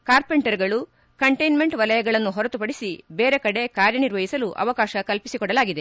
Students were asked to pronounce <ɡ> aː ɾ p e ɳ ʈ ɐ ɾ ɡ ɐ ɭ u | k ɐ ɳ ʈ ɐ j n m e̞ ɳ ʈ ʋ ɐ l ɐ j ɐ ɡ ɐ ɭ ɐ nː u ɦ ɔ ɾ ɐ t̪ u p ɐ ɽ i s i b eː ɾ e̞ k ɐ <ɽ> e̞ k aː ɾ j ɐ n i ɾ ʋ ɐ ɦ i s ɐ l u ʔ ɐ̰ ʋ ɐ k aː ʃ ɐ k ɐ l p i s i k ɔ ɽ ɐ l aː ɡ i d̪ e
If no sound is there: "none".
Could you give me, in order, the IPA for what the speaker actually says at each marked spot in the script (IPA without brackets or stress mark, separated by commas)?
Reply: k, ɽ